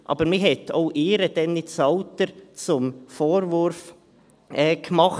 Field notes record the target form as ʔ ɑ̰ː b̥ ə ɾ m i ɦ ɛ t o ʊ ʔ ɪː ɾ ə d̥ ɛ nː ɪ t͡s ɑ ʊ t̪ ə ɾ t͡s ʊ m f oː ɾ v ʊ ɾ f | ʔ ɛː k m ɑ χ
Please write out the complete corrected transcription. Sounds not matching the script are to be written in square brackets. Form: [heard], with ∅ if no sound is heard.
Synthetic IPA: ʔ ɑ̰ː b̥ ə ɾ m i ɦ ɛ t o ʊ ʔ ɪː ɾ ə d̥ ɛ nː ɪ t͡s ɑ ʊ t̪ ə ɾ t͡s ʊ m f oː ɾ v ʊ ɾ f | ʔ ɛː k m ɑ χ